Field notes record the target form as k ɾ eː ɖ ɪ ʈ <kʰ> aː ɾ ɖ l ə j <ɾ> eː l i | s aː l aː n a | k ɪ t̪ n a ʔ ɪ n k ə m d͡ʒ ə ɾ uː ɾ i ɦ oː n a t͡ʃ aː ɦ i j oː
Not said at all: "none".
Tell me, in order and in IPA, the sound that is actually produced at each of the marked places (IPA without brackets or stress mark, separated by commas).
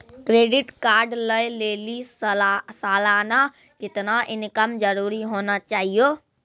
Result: k, l